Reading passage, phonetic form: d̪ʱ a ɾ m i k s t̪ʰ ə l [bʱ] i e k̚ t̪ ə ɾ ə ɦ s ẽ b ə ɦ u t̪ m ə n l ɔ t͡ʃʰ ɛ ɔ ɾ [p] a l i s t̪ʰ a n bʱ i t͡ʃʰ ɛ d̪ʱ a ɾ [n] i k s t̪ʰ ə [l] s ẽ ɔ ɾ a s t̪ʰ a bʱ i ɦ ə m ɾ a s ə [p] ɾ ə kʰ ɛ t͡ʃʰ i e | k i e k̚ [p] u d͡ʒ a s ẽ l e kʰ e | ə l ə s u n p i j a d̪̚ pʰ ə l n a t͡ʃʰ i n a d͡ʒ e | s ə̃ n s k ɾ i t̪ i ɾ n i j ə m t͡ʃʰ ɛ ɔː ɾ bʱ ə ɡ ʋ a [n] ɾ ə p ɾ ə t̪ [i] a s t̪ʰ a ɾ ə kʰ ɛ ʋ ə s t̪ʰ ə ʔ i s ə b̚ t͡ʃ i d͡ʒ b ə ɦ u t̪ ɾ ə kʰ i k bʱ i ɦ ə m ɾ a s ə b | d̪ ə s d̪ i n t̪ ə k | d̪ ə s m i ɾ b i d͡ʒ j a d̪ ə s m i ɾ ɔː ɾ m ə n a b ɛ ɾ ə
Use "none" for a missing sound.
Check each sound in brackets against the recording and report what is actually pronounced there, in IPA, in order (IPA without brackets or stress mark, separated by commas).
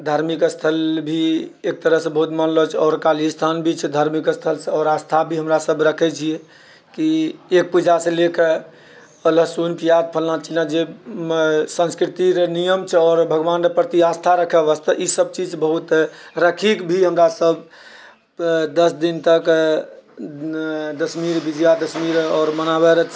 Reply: bʱ, k, m, l, b, p, n, i